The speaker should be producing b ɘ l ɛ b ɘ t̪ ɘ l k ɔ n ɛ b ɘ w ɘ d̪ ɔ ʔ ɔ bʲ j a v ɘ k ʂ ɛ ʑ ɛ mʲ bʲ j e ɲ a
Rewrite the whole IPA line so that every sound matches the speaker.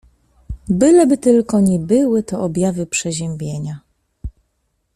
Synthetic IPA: b ɘ l ɛ b ɘ t̪ ɘ l k ɔ ɲ ɛ b ɘ w ɘ t̪ ɔ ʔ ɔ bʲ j a v ɘ p ʂ ɛ ʑ ɛ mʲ bʲ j e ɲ a

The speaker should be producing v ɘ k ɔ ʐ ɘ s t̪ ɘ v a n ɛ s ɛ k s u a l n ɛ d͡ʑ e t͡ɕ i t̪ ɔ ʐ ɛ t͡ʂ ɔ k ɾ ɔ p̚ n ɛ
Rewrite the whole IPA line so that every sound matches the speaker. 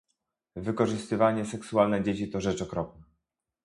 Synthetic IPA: v ɘ k ɔ ʐ ɘ s t̪ ɘ v a ɲ ɛ s ɛ k s u a l n ɛ d͡ʑ e t͡ɕ i t̪ ɔ ʐ ɛ t͡ʂ ɔ k ɾ ɔ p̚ n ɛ

